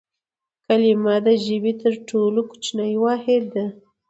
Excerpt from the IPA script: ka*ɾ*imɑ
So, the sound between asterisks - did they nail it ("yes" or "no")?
no